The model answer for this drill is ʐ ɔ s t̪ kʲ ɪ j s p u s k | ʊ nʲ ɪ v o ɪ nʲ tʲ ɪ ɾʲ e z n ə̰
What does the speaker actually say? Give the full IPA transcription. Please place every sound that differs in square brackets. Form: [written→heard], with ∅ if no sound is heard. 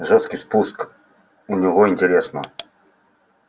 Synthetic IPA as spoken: ʐ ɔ s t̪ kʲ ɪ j s p u s k | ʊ nʲ ɪ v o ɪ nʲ tʲ ɪ ɾʲ e [z→s] n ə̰